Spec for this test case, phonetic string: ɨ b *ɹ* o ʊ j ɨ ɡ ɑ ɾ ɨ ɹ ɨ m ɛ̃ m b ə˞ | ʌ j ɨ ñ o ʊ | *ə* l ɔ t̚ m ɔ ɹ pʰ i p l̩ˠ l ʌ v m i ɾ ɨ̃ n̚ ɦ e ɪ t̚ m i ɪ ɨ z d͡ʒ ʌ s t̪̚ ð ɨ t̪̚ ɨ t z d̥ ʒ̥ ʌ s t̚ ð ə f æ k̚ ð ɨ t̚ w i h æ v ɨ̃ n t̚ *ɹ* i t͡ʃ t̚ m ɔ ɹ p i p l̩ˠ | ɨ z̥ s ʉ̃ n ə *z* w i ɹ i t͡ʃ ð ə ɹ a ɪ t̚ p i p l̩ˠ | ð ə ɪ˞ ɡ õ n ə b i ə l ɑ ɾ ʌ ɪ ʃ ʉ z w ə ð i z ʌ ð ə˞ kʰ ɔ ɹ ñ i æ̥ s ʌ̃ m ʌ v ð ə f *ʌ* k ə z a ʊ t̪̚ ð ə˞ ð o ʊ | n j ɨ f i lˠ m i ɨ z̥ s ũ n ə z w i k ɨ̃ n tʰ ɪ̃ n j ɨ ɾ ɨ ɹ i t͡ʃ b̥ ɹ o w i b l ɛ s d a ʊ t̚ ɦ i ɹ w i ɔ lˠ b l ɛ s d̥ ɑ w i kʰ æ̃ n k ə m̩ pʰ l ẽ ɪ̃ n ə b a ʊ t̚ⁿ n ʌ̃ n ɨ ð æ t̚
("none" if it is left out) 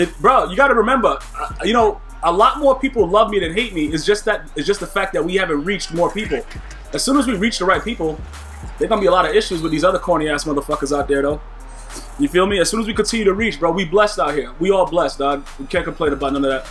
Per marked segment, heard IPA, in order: ɹ, ə, ɹ, z, ʌ

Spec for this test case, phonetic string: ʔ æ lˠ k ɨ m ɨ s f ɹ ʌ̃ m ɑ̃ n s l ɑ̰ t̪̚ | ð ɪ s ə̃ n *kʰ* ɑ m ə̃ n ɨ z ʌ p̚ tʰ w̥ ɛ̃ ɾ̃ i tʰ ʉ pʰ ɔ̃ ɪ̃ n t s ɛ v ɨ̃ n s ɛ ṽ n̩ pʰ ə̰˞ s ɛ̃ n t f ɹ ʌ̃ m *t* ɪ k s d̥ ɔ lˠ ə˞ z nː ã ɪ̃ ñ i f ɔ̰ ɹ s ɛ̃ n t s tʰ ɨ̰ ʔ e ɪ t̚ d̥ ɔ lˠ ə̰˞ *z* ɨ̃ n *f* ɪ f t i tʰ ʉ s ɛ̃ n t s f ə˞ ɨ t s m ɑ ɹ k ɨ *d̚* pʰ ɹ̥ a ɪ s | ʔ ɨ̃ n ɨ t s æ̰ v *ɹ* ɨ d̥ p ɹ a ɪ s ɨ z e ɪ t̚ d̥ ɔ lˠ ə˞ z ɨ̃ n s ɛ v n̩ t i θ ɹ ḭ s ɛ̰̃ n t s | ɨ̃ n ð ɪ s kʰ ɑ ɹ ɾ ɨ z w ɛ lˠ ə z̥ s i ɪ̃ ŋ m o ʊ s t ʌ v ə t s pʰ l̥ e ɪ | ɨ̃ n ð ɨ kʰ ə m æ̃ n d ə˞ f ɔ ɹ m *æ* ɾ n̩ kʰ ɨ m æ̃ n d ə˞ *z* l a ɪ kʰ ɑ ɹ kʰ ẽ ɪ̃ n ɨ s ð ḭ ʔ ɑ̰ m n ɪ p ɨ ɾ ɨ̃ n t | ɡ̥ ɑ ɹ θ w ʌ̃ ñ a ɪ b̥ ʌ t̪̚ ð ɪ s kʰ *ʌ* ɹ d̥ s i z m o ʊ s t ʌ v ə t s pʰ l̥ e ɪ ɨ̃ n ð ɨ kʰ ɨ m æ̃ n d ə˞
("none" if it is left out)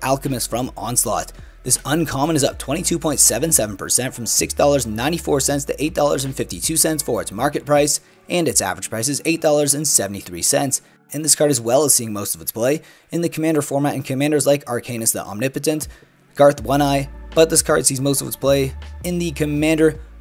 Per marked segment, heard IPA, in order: kʰ, s, z, f, t̚, ɹ, æ, z, ɑ

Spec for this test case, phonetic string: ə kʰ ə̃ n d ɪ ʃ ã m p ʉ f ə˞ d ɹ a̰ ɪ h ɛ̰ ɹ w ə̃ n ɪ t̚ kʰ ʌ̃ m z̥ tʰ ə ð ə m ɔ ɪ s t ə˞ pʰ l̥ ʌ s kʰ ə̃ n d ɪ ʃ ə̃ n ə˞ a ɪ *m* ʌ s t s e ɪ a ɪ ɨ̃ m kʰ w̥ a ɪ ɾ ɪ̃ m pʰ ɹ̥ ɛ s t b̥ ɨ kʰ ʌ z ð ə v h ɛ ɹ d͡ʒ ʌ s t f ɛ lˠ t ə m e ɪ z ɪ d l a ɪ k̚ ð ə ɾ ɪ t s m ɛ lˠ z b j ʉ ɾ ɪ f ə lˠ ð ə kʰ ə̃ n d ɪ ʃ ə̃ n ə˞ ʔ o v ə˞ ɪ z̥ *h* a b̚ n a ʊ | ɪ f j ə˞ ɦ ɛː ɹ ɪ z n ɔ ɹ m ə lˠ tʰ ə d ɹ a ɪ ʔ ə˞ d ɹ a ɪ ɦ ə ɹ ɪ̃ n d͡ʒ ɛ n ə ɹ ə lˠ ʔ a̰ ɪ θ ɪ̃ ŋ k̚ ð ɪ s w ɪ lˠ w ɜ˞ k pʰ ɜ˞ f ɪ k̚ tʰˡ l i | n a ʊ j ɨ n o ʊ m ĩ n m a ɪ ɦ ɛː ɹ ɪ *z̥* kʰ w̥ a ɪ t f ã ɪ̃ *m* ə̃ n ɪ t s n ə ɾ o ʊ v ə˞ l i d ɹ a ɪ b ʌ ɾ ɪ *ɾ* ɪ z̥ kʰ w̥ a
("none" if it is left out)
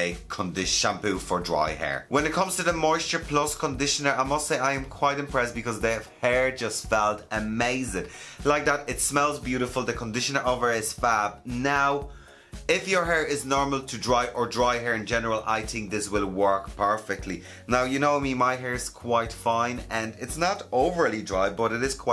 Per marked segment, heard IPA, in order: m, f, z̥, n, ɾ

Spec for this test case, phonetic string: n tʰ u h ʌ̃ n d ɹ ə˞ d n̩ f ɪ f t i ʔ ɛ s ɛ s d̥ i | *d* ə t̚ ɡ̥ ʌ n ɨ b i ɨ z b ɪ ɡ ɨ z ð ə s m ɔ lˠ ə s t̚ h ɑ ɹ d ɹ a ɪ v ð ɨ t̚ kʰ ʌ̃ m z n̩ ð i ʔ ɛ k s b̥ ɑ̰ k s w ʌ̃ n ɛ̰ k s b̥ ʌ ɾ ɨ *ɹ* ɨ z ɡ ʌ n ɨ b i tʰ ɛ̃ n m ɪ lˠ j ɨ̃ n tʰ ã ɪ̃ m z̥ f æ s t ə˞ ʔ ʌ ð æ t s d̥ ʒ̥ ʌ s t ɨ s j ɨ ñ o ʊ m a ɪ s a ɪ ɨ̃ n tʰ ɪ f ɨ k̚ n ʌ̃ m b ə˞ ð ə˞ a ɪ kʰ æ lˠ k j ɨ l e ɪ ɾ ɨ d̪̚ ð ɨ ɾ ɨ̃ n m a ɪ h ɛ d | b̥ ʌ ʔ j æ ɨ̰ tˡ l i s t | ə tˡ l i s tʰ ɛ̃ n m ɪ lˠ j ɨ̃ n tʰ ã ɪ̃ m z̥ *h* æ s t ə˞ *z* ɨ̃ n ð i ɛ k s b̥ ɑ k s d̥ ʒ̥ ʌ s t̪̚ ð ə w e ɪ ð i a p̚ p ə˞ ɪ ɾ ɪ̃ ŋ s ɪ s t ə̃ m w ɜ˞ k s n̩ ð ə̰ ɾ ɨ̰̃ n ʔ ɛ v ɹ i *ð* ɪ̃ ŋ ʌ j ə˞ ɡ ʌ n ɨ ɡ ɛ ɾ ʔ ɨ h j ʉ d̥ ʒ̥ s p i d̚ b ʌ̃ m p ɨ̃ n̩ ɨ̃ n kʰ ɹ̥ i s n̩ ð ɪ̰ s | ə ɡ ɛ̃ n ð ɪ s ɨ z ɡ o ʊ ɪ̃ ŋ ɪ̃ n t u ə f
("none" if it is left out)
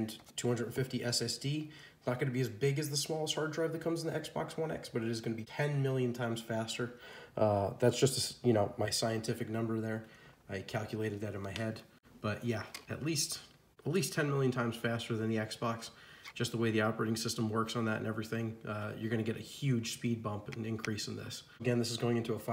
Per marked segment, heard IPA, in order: n, ɾ, f, ð, θ

